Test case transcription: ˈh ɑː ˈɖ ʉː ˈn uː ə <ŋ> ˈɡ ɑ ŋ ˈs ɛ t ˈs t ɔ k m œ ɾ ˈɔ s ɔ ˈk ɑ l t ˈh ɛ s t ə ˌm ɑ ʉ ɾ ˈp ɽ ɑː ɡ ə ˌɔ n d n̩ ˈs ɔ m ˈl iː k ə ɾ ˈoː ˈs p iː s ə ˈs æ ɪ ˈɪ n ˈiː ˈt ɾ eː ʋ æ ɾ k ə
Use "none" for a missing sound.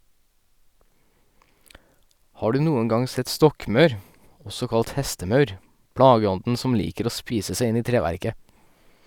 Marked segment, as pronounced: ŋ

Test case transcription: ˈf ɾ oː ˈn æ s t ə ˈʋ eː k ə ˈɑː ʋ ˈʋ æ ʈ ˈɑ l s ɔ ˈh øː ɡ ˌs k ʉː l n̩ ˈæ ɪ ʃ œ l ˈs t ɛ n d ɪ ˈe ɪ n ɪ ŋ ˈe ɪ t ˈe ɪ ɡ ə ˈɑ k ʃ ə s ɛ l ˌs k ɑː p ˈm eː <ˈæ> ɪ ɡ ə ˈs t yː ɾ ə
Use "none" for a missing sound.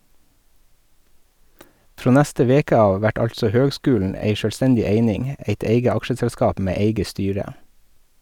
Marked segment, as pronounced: e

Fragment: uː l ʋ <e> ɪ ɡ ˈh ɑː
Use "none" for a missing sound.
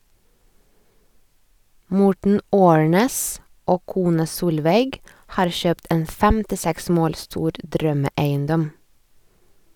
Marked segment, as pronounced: e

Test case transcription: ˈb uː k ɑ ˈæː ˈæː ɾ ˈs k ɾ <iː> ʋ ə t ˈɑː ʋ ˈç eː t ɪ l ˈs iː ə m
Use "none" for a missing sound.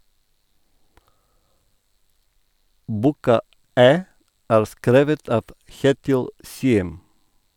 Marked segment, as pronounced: eː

